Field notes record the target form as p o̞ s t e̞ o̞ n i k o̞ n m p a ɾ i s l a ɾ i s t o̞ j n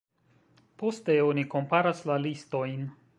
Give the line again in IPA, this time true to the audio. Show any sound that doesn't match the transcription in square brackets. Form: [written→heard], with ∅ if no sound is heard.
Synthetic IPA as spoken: p o̞ s t e̞ o̞ n i k o̞ [n→∅] m p a ɾ [i→a] s l a [ɾ→l] i s t o̞ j n

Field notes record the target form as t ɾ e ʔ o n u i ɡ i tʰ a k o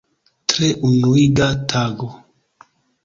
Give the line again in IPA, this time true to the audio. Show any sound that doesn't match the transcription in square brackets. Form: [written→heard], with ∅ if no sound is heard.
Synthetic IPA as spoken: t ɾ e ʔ [o→u] n u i ɡ [i→a] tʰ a [k→ɡ] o

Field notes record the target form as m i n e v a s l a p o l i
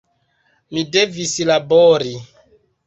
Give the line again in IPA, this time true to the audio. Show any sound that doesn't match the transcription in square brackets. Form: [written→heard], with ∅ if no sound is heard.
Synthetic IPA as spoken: m i [n→d] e v [a→i] s l a [p→b] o [l→ɾ] i

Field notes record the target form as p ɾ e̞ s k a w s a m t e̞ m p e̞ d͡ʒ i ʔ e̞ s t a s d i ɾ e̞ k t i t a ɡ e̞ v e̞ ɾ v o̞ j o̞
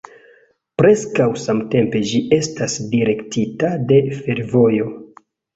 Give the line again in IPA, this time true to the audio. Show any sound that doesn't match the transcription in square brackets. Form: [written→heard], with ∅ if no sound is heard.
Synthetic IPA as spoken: p ɾ e̞ s k a w s a m t e̞ m p e̞ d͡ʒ i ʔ e̞ s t a s d i ɾ e̞ k t i t a [ɡ→d] e̞ [v→f] e̞ ɾ v o̞ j o̞

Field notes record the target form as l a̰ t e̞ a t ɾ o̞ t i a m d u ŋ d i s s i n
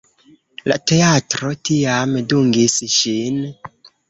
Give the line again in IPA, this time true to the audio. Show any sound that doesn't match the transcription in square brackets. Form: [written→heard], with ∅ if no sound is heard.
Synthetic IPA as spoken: l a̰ t e̞ a t ɾ o̞ t i a m d u ŋ [d→ɡ] i s [s→ʃ] i n

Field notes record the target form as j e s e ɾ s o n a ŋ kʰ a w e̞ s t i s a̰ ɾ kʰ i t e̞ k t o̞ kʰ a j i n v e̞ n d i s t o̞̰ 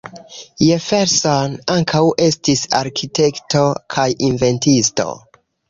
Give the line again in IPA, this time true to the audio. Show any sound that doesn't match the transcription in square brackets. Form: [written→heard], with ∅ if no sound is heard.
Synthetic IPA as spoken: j e [s→f] e ɾ s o n a ŋ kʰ a w e̞ s t i s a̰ ɾ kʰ i t e̞ k t o̞ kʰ a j i n v e̞ n [d→t] i s t o̞̰

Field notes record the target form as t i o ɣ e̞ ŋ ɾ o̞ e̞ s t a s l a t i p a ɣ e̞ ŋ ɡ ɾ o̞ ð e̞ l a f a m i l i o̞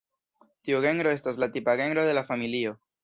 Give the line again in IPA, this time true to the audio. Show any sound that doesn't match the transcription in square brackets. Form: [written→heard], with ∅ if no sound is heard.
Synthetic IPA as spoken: t i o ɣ e̞ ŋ ɾ o̞ e̞ s t a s l a t i p a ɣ e̞ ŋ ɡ ɾ o̞ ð e̞ l a f a m i l i o̞

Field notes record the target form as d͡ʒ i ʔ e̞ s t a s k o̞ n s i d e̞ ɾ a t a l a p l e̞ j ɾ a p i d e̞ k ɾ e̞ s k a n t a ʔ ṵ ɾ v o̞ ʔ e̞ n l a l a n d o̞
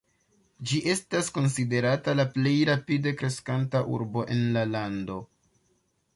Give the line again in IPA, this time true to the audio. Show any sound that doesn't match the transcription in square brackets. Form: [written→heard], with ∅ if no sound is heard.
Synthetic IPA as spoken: d͡ʒ i ʔ e̞ s t a s k o̞ n s i d e̞ ɾ a t a l a p l e̞ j ɾ a p i d e̞ k ɾ e̞ s k a n t a ʔ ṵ ɾ [v→b] o̞ ʔ e̞ n l a l a n d o̞

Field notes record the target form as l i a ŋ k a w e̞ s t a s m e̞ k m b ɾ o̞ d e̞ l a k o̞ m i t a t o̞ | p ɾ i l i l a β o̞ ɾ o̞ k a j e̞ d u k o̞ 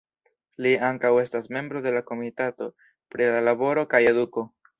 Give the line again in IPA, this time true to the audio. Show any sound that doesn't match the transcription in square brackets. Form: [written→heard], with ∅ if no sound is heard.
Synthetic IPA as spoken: l i a ŋ k a w e̞ s t a s m e̞ [k→∅] m b ɾ o̞ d e̞ l a k o̞ m i t a t o̞ | p ɾ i l [i→a] l a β o̞ ɾ o̞ k a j e̞ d u k o̞

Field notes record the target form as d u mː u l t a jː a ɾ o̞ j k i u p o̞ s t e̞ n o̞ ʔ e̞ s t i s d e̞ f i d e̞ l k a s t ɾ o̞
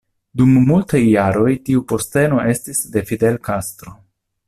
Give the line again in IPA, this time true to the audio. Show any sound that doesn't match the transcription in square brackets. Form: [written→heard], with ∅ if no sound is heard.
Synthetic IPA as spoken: d u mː u l t a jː a ɾ o̞ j [k→t] i u p o̞ s t e̞ n o̞ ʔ e̞ s t i s d e̞ f i d e̞ l k a s t ɾ o̞

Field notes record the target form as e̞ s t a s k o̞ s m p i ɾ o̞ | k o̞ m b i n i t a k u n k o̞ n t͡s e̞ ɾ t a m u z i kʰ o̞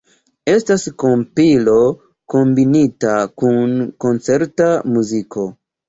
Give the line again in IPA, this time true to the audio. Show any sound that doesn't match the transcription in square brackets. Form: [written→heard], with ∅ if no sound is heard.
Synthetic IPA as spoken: e̞ s t a s k o̞ [s→∅] m p i [ɾ→l] o̞ | k o̞ m b i n i t a k u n k o̞ n t͡s e̞ ɾ t a m u z i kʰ o̞

